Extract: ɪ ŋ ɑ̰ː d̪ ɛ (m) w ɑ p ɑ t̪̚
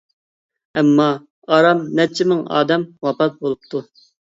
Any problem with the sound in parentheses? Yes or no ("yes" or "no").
no